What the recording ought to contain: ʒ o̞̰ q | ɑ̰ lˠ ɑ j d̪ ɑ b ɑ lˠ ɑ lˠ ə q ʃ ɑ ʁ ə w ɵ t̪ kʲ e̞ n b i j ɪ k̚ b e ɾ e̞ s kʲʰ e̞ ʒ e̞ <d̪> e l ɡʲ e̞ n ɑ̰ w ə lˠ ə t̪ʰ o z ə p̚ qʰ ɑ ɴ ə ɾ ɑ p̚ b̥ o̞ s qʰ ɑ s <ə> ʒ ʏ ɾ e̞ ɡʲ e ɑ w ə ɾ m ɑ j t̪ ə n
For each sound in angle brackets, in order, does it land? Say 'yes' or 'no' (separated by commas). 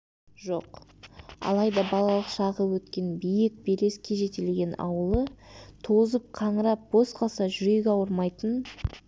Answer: no, no